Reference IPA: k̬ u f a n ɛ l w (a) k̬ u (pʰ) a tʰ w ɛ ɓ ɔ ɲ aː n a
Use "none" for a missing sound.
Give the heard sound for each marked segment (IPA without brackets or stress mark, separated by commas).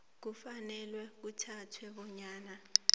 ɛ, tʰ